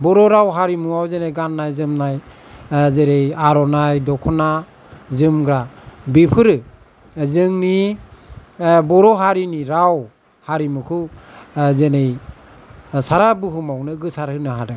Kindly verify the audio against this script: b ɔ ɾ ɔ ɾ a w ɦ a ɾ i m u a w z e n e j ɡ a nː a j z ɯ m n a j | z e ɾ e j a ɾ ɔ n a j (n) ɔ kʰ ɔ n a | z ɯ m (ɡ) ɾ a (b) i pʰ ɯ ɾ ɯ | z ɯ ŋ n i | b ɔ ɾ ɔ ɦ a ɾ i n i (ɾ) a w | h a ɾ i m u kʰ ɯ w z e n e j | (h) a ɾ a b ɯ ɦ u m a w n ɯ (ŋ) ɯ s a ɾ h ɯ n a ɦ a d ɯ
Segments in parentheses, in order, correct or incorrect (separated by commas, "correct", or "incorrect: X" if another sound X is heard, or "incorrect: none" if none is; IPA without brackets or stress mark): incorrect: d, correct, correct, correct, incorrect: s, incorrect: ɡ